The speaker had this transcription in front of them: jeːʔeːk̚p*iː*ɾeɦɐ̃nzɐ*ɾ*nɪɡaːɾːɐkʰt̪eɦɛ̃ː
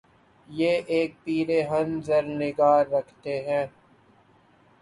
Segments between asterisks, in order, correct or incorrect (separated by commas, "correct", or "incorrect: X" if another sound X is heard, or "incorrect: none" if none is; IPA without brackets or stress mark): correct, correct